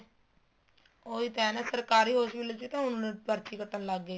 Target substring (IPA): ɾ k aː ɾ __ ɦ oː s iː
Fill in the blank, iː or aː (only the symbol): iː